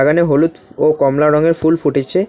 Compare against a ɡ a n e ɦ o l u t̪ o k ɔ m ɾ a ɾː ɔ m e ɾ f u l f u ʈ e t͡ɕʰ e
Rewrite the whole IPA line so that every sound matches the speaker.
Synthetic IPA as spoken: a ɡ a n e ɦ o l u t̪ o k ɔ m l a ɾ ɔ ŋ e ɾ f u l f u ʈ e t͡ɕʰ e

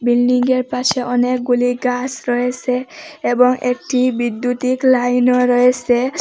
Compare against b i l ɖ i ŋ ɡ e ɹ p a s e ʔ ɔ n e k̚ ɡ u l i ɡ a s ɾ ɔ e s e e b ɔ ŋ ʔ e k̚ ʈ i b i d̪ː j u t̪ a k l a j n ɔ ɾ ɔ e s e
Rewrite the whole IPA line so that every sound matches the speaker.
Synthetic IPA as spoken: b i l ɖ i ŋ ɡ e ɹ p a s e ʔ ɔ n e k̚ ɡ u l i ɡ a s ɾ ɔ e s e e b ɔ ŋ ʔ e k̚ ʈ i b i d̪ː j u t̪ i k l a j n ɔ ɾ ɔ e s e

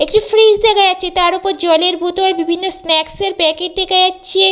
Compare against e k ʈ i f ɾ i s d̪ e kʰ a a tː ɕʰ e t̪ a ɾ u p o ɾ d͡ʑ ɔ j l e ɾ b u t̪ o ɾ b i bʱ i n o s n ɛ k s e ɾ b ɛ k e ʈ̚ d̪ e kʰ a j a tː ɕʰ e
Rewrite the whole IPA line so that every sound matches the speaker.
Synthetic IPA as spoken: e k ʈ i f ɾ i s d̪ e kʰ a a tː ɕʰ e t̪ a ɾ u p o ɾ d͡ʑ ɔ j l e ɾ b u t̪ o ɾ b i bʱ i nː o s n ɛ k s e ɾ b ɛ k e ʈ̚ d̪ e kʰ a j a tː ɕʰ e

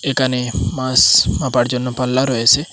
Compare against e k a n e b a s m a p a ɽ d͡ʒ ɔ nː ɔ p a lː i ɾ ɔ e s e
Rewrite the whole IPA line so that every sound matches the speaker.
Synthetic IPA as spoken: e k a n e m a s m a p a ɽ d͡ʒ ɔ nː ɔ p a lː a ɾ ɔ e s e

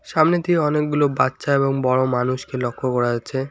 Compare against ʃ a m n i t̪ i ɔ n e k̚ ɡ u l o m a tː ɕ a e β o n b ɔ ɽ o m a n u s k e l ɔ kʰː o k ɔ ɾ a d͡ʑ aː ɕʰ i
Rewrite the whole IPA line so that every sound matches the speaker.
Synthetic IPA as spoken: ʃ a m n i t̪ i ɔ n e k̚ ɡ u l o b a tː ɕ a e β o ŋ b ɔ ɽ o m a n u ʃ k e l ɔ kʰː o k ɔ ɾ a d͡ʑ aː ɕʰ e

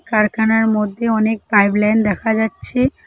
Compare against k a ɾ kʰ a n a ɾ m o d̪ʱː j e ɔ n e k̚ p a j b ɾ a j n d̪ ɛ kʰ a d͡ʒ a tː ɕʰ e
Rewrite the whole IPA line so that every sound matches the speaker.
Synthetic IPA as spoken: k a ɾ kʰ a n a ɾ m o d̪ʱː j e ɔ n e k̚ p a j b l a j n d̪ ɛ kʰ a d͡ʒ a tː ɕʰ e

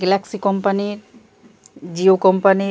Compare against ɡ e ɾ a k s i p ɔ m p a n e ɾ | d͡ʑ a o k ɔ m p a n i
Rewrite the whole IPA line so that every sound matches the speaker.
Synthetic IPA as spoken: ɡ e l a k s i k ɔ m p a n i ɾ | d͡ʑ i o k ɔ m p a n i

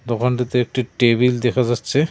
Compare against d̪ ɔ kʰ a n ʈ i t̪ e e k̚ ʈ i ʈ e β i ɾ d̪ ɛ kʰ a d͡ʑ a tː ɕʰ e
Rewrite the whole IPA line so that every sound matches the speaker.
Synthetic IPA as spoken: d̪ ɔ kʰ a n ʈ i t̪ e e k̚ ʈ i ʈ e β i l d̪ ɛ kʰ a d͡ʑ a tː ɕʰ e

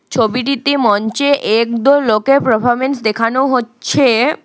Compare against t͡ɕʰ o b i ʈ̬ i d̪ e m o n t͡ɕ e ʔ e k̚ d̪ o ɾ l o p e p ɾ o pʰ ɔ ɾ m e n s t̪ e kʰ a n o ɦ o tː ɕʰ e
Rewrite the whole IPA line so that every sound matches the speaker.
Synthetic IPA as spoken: t͡ɕʰ o b i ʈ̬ i t̪ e m ɔ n t͡ɕ e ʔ e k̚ d̪ o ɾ l o k e p ɾ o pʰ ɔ ɾ m e n s d̪ e kʰ a n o ɦ o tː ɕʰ e

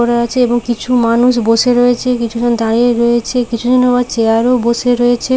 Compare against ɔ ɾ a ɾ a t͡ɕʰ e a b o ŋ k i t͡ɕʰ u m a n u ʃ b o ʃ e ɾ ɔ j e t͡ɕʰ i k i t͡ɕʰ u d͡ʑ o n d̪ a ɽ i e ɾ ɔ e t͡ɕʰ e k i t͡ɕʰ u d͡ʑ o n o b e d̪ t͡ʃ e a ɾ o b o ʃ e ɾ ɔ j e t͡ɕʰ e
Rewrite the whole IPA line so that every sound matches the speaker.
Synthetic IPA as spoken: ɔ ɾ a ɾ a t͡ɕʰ e e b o ŋ k i t͡ɕʰ u m a n u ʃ b o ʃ e ɾ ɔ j e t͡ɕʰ e k i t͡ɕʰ u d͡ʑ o n d̪ a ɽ i e ɾ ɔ e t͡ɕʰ e k i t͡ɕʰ u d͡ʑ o n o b a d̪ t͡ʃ e a ɾ o b o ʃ e ɾ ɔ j e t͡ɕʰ e

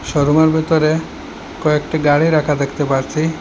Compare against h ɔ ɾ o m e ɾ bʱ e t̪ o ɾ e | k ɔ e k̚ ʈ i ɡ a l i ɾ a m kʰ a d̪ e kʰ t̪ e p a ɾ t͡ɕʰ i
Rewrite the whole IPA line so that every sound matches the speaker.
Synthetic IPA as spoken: ʃ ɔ ɾ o m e ɾ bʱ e t̪ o ɾ e | k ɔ e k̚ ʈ i ɡ a ɽ i ɾ a kʰ a d̪ e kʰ t̪ e p a ɾ t͡ɕʰ i

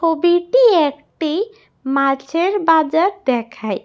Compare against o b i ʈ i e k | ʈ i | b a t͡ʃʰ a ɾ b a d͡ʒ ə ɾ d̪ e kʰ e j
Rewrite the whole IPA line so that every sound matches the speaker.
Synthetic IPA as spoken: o b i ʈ i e k | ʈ i | m a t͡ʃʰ e ɾ b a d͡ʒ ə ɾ d̪ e kʰ a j

